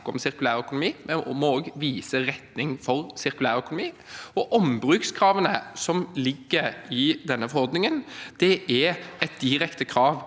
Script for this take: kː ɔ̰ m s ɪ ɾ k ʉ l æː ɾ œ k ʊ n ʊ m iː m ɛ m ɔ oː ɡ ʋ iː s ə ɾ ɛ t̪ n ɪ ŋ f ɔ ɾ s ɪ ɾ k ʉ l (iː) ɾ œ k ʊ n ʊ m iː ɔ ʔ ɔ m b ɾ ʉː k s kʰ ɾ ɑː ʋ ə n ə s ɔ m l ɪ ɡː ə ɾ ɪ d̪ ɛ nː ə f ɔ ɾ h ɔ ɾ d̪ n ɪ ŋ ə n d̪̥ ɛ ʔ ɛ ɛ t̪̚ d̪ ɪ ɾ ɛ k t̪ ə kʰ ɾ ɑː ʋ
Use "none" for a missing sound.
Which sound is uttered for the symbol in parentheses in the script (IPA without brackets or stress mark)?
æː